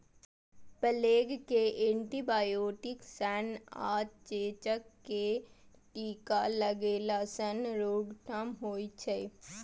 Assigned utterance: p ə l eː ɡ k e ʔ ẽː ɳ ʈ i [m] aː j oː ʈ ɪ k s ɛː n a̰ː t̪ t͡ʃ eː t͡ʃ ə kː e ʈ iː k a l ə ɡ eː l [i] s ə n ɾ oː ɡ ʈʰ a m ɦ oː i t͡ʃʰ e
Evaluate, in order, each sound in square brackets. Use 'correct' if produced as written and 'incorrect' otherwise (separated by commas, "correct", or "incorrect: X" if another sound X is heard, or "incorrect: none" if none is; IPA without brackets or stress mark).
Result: incorrect: b, incorrect: a